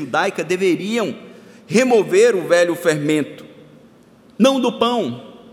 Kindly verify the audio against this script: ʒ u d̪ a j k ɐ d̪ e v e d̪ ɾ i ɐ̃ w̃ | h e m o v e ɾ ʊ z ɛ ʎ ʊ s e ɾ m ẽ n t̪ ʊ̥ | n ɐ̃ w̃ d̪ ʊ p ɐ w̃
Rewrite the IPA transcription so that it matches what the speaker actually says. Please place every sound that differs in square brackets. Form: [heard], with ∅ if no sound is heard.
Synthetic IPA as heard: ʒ u d̪ a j k ɐ d̪ e v e [∅] ɾ i ɐ̃ w̃ | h e m o v e ɾ ʊ [v] ɛ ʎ ʊ [f] e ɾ m ẽ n t̪ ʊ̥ | n ɐ̃ w̃ d̪ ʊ p [ɐ̃] w̃